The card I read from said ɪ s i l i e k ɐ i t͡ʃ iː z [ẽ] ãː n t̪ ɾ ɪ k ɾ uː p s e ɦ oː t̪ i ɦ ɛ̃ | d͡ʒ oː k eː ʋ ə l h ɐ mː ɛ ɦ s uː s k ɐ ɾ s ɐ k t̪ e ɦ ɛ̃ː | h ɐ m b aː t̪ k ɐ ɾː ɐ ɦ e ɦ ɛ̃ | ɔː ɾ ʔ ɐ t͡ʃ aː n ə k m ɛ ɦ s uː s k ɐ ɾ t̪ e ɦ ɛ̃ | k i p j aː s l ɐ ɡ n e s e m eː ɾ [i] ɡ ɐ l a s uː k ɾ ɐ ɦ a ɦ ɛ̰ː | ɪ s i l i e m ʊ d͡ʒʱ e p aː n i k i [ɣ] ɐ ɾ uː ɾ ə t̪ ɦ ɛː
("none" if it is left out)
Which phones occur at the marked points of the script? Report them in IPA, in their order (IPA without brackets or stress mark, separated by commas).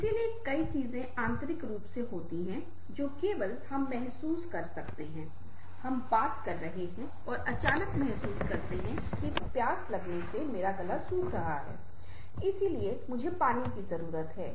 ẽ, a, z